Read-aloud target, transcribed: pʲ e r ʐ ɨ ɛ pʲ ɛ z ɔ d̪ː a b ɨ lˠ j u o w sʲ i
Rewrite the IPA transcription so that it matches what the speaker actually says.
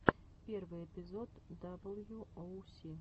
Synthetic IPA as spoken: pʲ ɛ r v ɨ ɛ pʲ i z ɔ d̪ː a b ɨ lˠ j u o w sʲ i